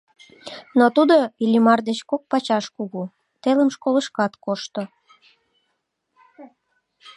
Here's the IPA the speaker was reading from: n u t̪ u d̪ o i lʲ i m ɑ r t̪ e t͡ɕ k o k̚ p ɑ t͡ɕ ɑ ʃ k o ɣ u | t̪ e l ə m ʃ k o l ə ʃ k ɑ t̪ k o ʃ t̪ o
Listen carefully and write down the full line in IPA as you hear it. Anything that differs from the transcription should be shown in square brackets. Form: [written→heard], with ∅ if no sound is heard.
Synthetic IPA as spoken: n [u→o] t̪ u d̪ o i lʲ i m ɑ r [t̪→d̪] e t͡ɕ k o k̚ p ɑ t͡ɕ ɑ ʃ k [o→u] ɣ u | t̪ e l ə m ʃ k o l ə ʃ k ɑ t̪ k o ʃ t̪ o